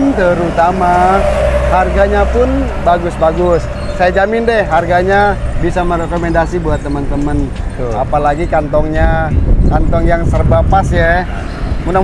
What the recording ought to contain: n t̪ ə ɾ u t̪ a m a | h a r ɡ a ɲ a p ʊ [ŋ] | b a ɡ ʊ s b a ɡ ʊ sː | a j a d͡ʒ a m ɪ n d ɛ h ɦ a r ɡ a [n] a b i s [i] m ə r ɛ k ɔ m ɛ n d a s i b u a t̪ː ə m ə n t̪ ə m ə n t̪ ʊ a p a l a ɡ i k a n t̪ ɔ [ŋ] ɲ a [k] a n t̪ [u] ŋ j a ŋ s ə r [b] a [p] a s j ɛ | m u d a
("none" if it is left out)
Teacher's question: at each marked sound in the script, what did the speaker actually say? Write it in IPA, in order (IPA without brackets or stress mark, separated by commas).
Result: n, ɲ, a, ŋ, k, ɔ, b, p